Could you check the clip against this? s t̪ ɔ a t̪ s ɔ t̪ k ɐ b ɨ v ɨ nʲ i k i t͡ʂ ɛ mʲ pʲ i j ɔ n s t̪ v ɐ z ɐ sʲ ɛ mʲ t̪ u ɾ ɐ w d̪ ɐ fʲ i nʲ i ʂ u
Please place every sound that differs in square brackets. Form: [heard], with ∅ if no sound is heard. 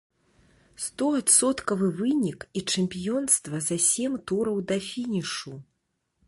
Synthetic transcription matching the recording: s t̪ ɔ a t̪ s ɔ t̪ k ɐ [v] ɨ v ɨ nʲ i k i t͡ʂ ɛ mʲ pʲ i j ɔ n s t̪ v ɐ z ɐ sʲ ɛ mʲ t̪ u ɾ ɐ w d̪ ɐ fʲ i nʲ i ʂ u